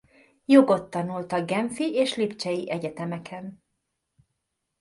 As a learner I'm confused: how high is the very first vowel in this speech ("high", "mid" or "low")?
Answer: mid